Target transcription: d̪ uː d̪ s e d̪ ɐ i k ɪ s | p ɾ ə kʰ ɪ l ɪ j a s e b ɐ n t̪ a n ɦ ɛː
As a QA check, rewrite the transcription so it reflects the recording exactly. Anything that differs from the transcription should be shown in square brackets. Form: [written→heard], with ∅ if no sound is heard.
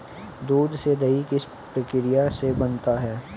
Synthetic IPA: d̪ uː d̪ s e d̪ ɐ i k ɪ s | p ɾ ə [kʰ→k] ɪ [l→ɾ] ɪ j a s e b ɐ n t̪ a [n→∅] ɦ ɛː